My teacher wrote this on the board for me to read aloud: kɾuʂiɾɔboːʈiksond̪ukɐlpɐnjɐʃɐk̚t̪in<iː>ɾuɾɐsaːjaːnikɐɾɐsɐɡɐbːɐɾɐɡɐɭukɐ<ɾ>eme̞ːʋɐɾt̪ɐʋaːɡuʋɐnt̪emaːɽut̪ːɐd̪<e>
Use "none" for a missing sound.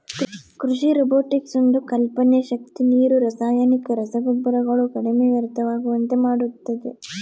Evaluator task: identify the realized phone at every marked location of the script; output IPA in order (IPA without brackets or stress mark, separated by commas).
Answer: iː, ɽ, e